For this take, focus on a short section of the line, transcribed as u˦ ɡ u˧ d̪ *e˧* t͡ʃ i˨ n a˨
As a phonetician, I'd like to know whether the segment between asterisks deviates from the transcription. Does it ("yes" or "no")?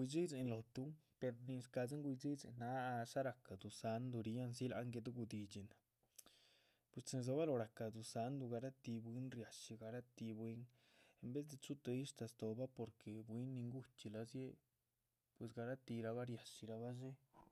yes